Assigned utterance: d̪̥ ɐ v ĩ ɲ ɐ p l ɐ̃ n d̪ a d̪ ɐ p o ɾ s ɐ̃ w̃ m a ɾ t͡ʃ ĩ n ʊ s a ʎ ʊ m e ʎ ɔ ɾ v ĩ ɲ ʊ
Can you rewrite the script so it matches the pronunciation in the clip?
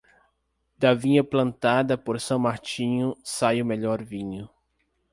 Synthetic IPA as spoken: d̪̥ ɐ v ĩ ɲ ɐ p l ɐ̃ n t̪ a d̪ ɐ p o ɾ s ɐ̃ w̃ m a ɾ t͡ʃ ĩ ɲ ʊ s a j ʊ m e ʎ ɔ ɾ v ĩ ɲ ʊ